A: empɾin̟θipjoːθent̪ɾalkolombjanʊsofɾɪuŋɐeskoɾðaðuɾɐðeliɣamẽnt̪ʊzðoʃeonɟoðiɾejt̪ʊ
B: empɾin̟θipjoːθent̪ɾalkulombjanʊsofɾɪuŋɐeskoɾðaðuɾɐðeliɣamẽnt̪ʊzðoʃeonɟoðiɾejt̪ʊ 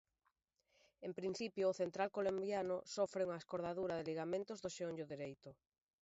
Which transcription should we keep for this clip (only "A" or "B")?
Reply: A